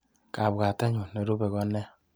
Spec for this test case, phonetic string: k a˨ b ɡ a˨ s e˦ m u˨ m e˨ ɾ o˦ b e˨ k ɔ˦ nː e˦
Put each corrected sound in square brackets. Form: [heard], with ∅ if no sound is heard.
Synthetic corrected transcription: k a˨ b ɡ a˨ [t] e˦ [ɲ] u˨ [n] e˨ ɾ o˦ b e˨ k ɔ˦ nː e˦